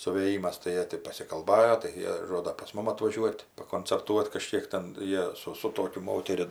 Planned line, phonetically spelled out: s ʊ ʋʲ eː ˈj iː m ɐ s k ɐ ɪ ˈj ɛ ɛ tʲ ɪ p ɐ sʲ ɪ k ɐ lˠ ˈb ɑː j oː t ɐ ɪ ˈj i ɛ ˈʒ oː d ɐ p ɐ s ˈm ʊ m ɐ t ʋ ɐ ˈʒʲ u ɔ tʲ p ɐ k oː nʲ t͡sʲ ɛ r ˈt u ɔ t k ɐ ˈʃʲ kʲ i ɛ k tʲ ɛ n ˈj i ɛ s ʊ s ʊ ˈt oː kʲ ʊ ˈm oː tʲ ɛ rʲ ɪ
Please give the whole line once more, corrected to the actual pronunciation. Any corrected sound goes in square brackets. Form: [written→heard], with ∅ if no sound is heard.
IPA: s ʊ ʋʲ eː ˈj iː m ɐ s [k→t] ɐ ɪ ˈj [ɛ→i] ɛ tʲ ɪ p ɐ sʲ ɪ k ɐ lˠ ˈb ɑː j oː t ɐ ɪ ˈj i ɛ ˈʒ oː d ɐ p ɐ s ˈm ʊ m ɐ t ʋ ɐ ˈʒʲ u ɔ tʲ p ɐ k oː nʲ t͡sʲ ɛ r ˈt u ɔ t k ɐ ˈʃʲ kʲ i ɛ k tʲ ɛ n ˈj i ɛ s ʊ s ʊ ˈt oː kʲ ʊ ˈm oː tʲ ɛ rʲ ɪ